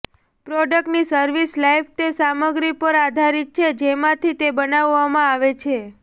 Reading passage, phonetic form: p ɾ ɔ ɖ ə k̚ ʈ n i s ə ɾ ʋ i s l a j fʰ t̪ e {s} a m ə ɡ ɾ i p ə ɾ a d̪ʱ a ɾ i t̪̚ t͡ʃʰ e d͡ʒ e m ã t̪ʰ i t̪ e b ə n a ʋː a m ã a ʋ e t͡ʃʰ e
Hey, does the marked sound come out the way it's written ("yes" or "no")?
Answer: yes